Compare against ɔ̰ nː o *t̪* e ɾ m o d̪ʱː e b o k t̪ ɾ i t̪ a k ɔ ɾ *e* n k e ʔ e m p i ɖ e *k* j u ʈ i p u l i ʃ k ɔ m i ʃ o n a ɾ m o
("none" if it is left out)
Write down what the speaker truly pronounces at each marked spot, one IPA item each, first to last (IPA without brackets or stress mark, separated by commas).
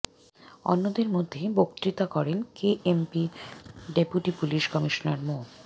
d̪, e, p